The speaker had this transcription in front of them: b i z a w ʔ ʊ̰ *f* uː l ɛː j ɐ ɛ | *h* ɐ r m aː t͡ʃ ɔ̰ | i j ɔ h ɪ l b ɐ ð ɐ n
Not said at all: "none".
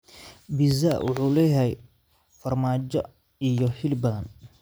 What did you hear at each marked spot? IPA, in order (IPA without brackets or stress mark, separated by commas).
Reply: ħ, f